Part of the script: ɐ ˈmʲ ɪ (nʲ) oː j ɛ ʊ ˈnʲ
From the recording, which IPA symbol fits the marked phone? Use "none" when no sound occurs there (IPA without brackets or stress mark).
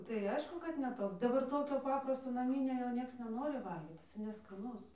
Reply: nʲ